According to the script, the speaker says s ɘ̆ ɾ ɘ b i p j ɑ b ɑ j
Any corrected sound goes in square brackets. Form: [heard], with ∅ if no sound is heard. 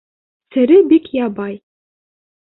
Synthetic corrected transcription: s ɘ̆ ɾ ɘ b i [k] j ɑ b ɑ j